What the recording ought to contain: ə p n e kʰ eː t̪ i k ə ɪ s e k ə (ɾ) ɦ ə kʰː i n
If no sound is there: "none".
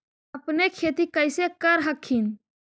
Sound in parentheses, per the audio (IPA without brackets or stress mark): ɾ